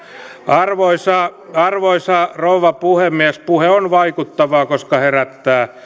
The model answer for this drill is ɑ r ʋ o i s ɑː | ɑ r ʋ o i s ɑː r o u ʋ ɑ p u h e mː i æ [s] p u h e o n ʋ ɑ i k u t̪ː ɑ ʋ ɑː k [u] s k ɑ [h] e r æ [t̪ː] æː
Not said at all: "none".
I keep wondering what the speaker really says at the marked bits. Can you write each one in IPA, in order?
s, o, h, t̪ː

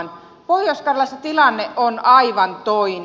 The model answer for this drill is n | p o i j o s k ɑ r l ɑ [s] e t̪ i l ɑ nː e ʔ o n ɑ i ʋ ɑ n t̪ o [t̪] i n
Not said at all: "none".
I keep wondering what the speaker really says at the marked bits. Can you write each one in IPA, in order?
s, none

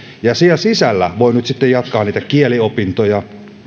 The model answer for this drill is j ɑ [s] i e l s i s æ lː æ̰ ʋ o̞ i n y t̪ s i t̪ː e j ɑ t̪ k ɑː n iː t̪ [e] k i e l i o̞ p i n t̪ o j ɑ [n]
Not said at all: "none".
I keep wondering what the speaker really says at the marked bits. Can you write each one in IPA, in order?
s, æ, none

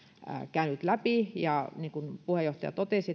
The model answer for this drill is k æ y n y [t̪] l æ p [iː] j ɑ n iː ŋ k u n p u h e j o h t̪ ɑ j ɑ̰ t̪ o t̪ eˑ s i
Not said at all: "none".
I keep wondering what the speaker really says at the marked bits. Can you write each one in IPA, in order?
t̪, i

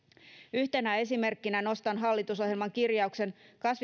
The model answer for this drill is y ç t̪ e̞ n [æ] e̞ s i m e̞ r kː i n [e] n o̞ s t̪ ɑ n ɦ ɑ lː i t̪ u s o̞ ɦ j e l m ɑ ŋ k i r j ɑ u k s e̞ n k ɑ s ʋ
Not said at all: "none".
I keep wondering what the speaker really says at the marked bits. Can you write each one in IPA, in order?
æ, æ

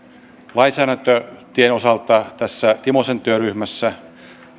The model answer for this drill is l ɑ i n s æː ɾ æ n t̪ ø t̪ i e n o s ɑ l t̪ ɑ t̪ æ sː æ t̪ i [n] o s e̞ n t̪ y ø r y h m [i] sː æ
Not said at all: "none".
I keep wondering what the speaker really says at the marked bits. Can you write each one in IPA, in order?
m, æ

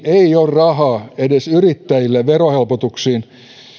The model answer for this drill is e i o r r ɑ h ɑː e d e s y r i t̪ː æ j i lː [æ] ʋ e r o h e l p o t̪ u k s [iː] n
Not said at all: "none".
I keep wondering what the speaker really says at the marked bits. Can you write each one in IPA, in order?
e, iː

